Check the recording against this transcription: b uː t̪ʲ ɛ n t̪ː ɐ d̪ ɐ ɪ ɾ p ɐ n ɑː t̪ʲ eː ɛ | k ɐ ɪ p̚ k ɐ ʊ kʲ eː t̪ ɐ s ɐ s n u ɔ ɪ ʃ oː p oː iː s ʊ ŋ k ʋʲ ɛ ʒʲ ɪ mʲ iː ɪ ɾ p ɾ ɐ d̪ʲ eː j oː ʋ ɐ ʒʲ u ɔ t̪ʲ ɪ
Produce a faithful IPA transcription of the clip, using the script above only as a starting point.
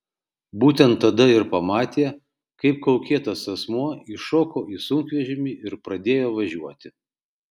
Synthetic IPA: b uː t̪ʲ ɛ n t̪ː ɐ d̪ ɐ ɪ ɾ p ɐ m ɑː t̪ʲ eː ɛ | k ɐ ɪ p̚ k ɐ ʊ kʲ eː t̪ ɐ s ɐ s m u ɔ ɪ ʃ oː k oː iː s ʊ ŋ k ʋʲ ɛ ʒʲ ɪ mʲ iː ɪ ɾ p ɾ ɐ d̪ʲ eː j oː ʋ ɐ ʒʲ u ɔ t̪ʲ ɪ